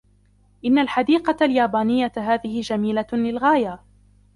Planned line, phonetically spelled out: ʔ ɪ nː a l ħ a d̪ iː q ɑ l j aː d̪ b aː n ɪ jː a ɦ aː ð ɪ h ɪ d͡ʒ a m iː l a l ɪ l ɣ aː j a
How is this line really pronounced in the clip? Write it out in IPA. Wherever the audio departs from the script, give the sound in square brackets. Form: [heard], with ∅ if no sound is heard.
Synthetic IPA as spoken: ʔ ɪ nː a l ħ a d̪ iː q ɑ l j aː [∅] b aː n ɪ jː a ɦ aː ð ɪ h ɪ d͡ʒ a m iː l a l ɪ l ɣ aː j a

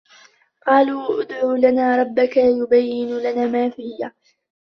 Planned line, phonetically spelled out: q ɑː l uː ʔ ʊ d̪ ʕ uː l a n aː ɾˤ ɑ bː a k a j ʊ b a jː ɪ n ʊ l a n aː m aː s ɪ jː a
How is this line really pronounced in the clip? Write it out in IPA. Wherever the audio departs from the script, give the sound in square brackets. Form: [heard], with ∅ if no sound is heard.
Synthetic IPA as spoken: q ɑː l uː ʔ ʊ d̪ ʕ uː l a n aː ɾˤ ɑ bː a k a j ʊ b a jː ɪ n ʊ l a n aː m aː [f] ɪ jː a

